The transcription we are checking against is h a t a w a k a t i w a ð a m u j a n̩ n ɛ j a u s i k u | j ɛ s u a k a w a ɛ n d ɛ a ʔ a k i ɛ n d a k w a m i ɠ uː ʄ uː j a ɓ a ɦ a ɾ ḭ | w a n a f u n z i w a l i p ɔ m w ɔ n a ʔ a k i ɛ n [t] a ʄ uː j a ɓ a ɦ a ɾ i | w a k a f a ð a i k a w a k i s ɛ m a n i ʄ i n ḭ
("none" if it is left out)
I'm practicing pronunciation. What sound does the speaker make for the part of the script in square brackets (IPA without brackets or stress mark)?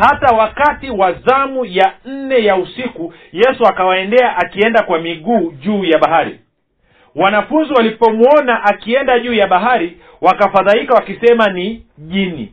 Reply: d